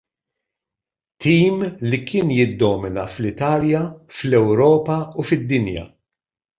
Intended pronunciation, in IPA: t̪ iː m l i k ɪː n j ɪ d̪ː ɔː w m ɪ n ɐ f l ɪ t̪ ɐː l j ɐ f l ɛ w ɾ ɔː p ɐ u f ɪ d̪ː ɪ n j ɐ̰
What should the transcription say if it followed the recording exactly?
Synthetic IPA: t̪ iː m l i k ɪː n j ɪ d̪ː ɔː m ɪ n ɐ f l ɪ t̪ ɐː l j ɐ f l ɛ w ɾ ɔː p ɐ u f ɪ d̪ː ɪ n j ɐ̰